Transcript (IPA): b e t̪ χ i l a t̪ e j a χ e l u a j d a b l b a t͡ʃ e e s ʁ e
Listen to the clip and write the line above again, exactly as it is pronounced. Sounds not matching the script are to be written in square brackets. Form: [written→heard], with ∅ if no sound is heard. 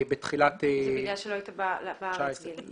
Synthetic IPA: b e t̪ χ i l a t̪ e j a [χ→ʃ] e l [u→o] a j [d→t] a b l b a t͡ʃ [e→a] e s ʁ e